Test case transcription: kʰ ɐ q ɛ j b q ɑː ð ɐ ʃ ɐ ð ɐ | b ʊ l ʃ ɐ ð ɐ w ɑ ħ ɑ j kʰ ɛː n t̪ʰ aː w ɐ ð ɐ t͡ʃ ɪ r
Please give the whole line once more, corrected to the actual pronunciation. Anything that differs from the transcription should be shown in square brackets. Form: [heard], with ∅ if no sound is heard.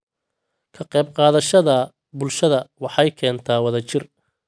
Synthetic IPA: kʰ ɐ q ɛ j b q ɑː ð ɐ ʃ ɐ ð ɐ | b ʊ l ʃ ɐ ð ɐ w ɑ ħ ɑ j kʰ ɛː n t̪ʰ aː w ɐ ð ɐ t͡ʃ ɪ r

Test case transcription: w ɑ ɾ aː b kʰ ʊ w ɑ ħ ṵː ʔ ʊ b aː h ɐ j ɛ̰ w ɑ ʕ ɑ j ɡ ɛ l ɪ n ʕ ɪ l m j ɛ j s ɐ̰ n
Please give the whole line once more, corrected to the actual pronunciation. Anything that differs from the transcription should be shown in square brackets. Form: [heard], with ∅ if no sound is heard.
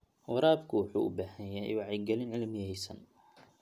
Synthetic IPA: w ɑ ɾ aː b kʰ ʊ w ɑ ħ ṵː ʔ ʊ b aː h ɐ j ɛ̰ w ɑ ʕ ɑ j ɡ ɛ l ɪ n ʕ ɪ l m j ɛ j s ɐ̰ n

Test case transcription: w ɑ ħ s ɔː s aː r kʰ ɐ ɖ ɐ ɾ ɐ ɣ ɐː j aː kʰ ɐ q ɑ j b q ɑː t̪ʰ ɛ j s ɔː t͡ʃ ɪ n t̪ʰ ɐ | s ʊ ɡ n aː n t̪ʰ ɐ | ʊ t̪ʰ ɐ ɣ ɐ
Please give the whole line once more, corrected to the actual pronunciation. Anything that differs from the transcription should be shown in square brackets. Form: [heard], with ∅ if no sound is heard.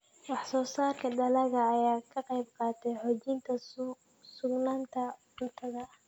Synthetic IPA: w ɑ ħ s ɔː s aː r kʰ ɐ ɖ ɐ [l] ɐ ɣ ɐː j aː kʰ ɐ q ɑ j b q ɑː t̪ʰ ɛ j [ħ] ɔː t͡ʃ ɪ n t̪ʰ ɐ | s ʊ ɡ n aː n t̪ʰ ɐ | ʊ t̪ʰ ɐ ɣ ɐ

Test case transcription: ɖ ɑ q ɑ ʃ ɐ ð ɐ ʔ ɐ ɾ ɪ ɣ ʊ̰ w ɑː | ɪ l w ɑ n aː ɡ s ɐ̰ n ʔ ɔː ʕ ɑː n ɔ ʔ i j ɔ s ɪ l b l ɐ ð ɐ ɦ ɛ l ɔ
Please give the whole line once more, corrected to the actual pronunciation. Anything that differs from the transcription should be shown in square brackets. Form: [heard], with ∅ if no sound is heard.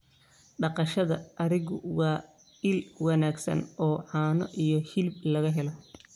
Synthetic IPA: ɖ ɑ q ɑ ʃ ɐ ð ɐ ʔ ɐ ɾ ɪ ɣ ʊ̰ w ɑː | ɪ l w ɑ n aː ɡ s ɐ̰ n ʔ ɔː ʕ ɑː n ɔ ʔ i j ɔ [h] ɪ l b l ɐ [ɣ] ɐ ɦ ɛ l ɔ

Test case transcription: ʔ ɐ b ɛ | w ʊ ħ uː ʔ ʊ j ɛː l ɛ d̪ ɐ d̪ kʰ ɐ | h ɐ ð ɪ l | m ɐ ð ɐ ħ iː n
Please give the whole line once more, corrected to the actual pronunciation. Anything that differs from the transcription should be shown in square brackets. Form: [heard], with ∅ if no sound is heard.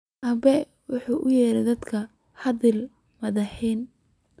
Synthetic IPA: ʔ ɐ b ɛ | w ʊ ħ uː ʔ ʊ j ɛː [ɾ] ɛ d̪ ɐ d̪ kʰ ɐ | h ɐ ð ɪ l | m ɐ ð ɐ ħ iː n

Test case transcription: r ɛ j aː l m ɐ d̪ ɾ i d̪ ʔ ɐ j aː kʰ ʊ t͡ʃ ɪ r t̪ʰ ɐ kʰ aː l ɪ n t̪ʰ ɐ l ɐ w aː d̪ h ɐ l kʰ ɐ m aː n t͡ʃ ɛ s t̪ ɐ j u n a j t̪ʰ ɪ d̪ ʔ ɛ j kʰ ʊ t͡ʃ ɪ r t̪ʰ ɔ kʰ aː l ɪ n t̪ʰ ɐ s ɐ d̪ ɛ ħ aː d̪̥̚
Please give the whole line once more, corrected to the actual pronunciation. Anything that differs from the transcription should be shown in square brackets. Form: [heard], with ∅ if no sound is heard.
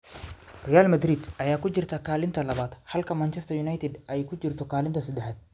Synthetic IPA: r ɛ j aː l m ɐ d̪ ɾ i d̪ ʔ ɐ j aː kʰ ʊ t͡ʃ ɪ r t̪ʰ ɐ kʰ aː l ɪ n t̪ʰ ɐ l ɐ [β] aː d̪ h ɐ l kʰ ɐ m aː n t͡ʃ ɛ s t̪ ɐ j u n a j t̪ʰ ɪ d̪ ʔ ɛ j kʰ ʊ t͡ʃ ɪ r t̪ʰ ɔ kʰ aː l ɪ n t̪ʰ ɐ s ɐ d̪ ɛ ħ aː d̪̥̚

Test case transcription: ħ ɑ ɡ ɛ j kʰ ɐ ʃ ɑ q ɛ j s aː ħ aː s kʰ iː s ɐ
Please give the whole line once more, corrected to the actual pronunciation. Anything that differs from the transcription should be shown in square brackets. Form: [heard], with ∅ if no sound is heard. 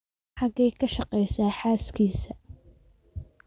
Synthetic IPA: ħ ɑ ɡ ɛ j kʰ ɐ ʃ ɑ q ɛ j s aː ħ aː s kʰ iː s ɐ

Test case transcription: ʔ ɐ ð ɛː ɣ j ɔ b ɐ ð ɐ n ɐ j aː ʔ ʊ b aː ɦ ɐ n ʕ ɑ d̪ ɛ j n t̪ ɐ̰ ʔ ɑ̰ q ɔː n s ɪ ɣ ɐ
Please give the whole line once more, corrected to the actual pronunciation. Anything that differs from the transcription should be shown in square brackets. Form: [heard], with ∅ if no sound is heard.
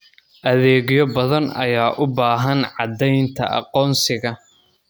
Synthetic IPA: ʔ ɐ ð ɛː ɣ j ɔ b ɐ ð ɐ n ɐ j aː ʔ ʊ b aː ɦ ɐ n ʕ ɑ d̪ ɛ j n [t̪ʰ] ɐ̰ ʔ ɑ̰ q ɔː n s ɪ ɣ ɐ

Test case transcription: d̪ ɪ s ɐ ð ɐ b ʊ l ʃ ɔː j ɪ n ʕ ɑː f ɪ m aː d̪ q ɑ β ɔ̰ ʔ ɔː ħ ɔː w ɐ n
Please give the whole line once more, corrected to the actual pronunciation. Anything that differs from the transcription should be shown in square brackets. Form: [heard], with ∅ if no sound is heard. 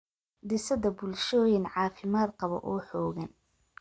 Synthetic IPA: d̪ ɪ s ɐ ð ɐ b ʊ l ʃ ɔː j ɪ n ʕ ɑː f ɪ m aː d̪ q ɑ β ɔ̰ ʔ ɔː ħ ɔː [ɣ] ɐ n

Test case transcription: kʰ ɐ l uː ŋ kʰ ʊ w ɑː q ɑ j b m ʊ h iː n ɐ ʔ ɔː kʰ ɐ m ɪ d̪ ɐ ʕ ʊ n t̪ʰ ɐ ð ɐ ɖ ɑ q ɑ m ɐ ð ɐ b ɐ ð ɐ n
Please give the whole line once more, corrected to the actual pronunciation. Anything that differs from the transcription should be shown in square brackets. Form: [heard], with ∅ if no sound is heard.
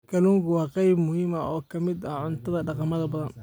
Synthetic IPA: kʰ ɐ l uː ŋ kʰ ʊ w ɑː q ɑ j b m ʊ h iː [m] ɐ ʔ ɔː kʰ ɐ m ɪ d̪ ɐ ʕ ʊ n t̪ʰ ɐ ð ɐ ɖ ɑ q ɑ m ɐ ð ɐ b ɐ ð ɐ n

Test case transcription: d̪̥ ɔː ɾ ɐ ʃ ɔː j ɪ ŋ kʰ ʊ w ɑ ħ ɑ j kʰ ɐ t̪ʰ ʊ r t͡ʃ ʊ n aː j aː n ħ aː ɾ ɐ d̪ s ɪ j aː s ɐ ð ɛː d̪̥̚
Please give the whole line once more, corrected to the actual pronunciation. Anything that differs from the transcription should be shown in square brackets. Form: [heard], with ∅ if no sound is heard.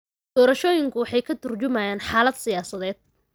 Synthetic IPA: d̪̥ ɔː ɾ ɐ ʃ ɔː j ɪ ŋ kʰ ʊ w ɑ ħ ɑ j kʰ ɐ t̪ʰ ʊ r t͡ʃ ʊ [m] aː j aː n ħ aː [l] ɐ d̪ s ɪ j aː s ɐ ð ɛː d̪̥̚

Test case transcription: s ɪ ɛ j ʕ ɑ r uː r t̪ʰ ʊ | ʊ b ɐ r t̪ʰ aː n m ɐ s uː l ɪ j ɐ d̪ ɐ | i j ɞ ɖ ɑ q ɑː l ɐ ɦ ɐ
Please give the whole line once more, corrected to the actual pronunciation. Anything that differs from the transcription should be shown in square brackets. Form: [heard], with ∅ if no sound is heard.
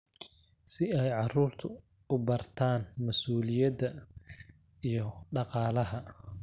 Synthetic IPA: s ɪ ɛ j ʕ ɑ r uː r t̪ʰ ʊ | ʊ b ɐ r t̪ʰ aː n m ɐ s uː l ɪ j ɐ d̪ ɐ | i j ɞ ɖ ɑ q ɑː l ɐ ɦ ɐ

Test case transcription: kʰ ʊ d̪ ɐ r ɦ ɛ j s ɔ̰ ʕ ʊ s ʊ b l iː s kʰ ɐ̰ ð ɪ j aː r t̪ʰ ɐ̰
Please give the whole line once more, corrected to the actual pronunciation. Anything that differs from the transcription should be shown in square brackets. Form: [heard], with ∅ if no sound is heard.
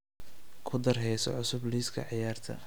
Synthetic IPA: kʰ ʊ d̪ ɐ r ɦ ɛ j s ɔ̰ ʕ ʊ s ʊ b l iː s kʰ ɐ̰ [ʕ] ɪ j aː r t̪ʰ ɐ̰

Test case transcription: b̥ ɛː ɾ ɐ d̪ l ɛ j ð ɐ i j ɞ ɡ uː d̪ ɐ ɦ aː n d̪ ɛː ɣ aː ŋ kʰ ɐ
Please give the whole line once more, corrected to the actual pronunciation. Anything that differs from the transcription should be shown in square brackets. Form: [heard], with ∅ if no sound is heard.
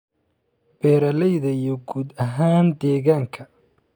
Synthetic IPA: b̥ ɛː ɾ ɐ [∅] l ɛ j ð ɐ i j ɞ ɡ uː d̪ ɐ ɦ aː n d̪ ɛː ɣ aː ŋ kʰ ɐ

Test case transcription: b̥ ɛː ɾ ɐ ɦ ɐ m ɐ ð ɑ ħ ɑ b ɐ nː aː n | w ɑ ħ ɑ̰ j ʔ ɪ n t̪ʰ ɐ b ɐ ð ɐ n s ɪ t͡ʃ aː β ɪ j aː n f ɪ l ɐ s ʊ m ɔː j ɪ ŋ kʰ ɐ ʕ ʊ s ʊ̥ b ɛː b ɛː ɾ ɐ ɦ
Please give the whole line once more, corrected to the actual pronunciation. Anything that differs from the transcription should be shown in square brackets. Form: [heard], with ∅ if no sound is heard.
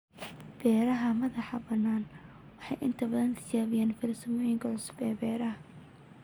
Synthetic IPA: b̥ ɛː ɾ ɐ ɦ ɐ m ɐ ð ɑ ħ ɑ b ɐ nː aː n | w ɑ ħ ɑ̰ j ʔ ɪ n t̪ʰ ɐ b ɐ ð ɐ n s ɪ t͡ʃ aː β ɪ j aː n f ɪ l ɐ s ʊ m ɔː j ɪ ŋ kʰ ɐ ʕ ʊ s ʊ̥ b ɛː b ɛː ɾ ɐ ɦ

